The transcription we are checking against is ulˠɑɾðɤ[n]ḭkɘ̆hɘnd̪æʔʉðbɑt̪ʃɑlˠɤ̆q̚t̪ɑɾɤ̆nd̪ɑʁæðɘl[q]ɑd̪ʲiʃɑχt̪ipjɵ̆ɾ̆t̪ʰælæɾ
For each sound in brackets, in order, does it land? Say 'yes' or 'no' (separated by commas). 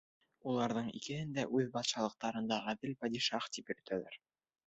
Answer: no, no